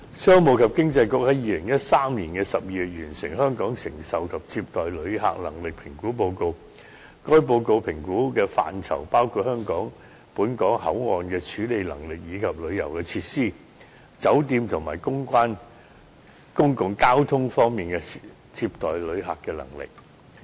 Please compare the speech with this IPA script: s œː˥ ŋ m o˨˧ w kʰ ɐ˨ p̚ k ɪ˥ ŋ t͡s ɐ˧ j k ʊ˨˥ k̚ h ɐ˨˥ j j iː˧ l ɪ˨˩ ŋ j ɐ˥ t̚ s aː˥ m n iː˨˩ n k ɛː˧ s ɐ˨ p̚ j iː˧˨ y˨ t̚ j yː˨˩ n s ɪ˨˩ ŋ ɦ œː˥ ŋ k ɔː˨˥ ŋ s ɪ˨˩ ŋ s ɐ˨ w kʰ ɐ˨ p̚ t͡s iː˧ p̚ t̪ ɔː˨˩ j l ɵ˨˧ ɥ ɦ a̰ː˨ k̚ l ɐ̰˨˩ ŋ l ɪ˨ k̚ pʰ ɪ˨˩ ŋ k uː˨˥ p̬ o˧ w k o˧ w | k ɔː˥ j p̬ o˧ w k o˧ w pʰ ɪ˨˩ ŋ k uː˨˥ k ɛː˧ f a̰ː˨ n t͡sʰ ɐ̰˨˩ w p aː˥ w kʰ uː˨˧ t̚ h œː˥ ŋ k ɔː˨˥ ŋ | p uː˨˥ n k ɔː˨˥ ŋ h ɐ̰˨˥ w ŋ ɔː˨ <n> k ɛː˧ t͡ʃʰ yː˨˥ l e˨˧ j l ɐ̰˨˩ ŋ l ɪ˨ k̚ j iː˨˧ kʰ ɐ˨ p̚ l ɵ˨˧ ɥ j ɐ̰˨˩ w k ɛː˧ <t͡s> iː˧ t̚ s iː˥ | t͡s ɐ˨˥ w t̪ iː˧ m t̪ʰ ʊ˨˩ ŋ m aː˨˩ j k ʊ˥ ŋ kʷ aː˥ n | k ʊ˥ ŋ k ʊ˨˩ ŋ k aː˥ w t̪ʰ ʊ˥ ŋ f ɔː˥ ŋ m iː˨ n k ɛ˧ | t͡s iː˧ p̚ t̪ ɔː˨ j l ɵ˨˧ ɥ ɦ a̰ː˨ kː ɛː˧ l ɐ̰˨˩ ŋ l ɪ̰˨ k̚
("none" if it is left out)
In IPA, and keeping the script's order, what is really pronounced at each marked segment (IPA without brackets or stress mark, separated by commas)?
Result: n, t͡sʰ